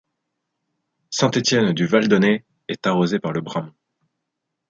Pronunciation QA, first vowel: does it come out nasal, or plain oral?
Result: nasal